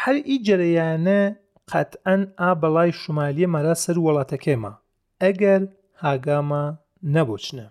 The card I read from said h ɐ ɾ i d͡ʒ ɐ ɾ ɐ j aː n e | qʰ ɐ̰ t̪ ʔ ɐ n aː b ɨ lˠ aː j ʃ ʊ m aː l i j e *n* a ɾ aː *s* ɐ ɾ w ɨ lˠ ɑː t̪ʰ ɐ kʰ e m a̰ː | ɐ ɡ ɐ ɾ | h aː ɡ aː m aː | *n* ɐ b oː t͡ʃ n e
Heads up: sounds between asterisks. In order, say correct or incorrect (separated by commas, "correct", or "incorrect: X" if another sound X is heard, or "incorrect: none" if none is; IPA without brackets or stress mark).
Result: incorrect: m, correct, correct